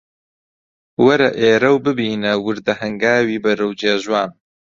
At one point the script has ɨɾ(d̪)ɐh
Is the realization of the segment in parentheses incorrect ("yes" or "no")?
no